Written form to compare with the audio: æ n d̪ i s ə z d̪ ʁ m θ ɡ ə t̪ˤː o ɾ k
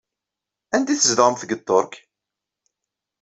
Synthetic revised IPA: æ n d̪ i θ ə z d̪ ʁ m θ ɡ ə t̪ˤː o ɾ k